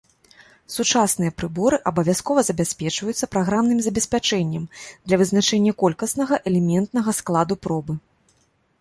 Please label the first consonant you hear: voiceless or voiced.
voiceless